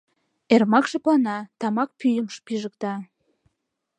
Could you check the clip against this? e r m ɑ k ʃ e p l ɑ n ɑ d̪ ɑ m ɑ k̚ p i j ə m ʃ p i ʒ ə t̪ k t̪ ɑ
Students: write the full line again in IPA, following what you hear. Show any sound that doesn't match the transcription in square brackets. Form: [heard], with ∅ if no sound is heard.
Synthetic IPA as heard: e r m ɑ k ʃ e p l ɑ n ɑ [t̪] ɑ m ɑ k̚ p [y] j ə m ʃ p i ʒ ə [∅] k t̪ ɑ